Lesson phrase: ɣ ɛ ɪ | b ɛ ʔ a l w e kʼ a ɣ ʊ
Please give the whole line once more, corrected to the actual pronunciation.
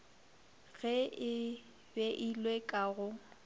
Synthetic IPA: ɣ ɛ ɪ | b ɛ ʔ i l w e kʼ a ɣ ʊ

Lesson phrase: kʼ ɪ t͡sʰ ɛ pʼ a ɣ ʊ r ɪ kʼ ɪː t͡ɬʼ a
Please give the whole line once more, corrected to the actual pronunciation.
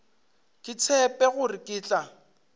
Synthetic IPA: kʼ ɪ t͡sʰ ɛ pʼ ɛ ɣ ʊ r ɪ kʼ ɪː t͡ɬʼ a

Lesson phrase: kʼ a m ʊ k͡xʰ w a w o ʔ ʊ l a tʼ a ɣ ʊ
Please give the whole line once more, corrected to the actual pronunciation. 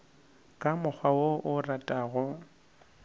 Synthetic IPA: kʼ a m ʊ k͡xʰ w a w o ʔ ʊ r a tʼ a ɣ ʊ

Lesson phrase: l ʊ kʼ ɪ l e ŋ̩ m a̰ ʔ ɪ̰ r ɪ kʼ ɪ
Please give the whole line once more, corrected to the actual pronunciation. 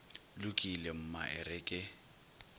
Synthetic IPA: l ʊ kʼ i l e m̩ m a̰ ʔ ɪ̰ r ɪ kʼ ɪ

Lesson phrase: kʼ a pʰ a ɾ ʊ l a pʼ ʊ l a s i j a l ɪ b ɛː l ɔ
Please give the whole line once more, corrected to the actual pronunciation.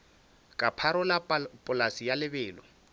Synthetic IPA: kʼ a pʰ a ɾ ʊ l a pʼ ʊ l a s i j a l ɪ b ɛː l ɔ

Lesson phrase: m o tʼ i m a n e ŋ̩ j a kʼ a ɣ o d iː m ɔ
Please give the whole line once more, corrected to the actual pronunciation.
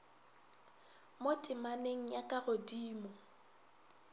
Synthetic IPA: m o tʼ ɪ m a n e ŋ̩ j a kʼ a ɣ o d iː m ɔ

